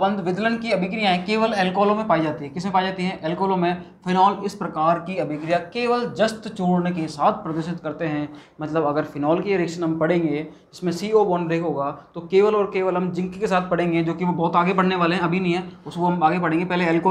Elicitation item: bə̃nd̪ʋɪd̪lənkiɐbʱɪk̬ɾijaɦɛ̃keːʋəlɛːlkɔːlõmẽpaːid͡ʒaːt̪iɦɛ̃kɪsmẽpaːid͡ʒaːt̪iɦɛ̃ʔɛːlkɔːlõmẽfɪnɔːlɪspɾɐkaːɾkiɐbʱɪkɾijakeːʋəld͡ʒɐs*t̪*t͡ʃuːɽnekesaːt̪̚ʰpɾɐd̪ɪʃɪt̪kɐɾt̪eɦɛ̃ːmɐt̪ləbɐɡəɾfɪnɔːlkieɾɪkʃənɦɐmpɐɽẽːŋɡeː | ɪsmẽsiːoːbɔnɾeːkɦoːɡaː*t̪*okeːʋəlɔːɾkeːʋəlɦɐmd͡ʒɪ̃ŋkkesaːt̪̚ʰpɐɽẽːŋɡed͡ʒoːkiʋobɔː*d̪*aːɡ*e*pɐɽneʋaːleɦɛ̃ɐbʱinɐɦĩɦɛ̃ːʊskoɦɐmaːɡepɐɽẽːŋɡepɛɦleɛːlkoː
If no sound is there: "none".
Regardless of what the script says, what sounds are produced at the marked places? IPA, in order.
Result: t̪, t̪, t̪, e

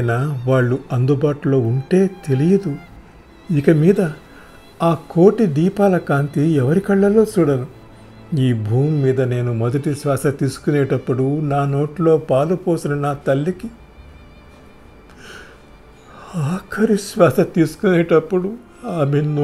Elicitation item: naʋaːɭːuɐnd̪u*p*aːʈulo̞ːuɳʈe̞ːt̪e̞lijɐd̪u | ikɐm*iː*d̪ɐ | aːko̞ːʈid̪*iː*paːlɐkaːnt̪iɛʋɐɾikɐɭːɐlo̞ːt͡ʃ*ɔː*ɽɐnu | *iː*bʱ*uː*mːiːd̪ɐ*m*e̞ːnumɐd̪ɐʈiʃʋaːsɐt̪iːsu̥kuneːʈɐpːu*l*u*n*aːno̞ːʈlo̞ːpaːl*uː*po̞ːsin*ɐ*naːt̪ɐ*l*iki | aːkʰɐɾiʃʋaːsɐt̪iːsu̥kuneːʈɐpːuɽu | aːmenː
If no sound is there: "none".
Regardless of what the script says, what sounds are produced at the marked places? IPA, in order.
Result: b, iː, iː, uː, iː, uː, n, ɽ, n, u, ɐ, lː

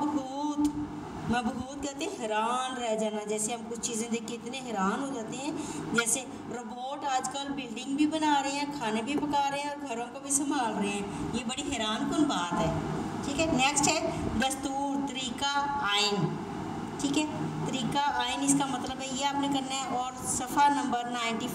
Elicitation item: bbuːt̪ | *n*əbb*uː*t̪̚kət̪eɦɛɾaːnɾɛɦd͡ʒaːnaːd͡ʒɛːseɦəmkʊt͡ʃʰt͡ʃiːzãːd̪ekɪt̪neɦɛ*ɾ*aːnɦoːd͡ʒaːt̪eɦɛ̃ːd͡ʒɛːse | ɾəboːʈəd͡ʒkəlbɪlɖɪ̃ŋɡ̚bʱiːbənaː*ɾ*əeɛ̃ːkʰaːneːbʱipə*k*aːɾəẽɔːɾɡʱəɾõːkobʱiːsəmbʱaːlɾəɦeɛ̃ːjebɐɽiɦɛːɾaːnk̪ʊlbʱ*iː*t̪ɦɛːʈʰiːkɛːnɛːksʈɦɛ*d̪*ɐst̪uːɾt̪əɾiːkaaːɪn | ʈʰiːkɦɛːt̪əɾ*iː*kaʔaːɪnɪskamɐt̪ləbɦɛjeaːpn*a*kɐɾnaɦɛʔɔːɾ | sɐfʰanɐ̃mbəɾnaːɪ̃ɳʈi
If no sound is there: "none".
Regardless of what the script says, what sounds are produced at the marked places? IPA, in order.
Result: m, uː, ɾ, ɾ, k, aː, d̪, iː, e

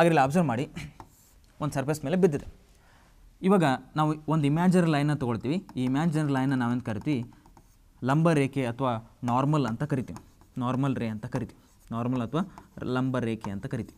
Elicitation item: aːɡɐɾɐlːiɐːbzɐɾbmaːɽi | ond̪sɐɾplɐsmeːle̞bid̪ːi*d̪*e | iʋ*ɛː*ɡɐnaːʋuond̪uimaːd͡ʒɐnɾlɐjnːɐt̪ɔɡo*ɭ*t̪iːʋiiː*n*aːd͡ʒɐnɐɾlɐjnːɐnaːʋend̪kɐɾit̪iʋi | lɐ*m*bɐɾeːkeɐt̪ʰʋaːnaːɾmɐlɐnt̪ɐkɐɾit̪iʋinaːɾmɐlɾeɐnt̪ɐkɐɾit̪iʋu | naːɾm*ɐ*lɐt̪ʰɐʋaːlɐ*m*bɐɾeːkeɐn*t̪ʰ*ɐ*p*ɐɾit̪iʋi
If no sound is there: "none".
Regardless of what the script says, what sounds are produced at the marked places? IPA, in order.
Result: d̪, aː, ɭ, m, m, ɐ, m, t̪, k

